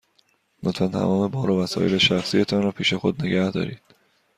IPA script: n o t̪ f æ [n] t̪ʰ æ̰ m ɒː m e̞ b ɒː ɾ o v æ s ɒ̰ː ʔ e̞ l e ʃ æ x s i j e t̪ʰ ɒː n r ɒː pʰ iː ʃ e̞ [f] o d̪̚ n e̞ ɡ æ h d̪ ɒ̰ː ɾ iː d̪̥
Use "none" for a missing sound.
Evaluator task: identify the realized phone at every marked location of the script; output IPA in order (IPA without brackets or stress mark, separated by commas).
n, x